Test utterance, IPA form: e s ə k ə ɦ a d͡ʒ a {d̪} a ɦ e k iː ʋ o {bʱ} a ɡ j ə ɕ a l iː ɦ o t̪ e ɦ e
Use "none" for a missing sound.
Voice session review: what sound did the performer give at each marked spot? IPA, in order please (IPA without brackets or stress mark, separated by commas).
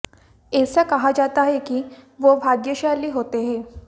t̪, bʱ